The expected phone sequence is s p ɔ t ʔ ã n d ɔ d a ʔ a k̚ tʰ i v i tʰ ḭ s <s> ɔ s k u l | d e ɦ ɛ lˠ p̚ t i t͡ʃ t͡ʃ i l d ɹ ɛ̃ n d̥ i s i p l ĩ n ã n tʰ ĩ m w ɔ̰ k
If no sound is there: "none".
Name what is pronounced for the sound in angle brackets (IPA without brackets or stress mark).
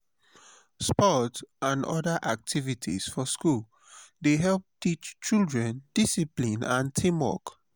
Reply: f